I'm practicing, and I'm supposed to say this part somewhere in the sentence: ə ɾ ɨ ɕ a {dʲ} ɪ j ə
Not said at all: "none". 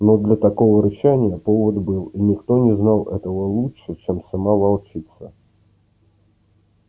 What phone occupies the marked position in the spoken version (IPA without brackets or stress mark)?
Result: nʲ